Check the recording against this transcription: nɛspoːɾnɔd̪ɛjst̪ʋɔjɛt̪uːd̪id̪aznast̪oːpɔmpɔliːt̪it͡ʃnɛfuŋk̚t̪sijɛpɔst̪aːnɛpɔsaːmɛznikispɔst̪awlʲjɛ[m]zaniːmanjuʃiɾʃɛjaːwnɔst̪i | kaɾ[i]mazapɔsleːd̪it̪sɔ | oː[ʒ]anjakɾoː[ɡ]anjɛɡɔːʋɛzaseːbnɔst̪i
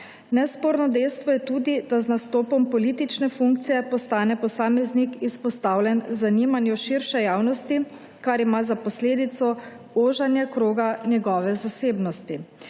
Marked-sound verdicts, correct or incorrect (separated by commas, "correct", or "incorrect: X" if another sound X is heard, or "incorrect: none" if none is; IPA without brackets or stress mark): incorrect: n, correct, correct, correct